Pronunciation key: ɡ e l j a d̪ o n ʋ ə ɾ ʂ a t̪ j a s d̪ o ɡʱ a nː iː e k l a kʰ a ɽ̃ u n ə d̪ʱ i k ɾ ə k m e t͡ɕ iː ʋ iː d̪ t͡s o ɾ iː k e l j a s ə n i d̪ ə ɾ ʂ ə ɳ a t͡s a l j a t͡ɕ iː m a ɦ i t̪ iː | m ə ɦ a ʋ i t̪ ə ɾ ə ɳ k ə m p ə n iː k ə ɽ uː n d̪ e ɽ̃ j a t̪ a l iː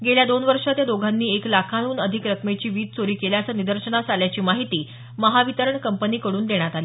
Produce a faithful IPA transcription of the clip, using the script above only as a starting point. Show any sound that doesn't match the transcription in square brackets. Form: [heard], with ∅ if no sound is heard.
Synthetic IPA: ɡ e l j a d̪ o n ʋ ə ɾ ʂ a t̪ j a [∅] d̪ o ɡʱ a nː iː e k l a kʰ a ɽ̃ [uː] n ə d̪ʱ i k ɾ ə k m e t͡ɕ iː ʋ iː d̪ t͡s o ɾ iː k e l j a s ə n i d̪ ə ɾ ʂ ə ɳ a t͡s a l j a t͡ɕ iː m a ɦ i t̪ iː | m ə ɦ a ʋ i t̪ ə ɾ ə ɳ k ə m p ə n iː k ə ɽ uː n d̪ e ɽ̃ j a t̪ a l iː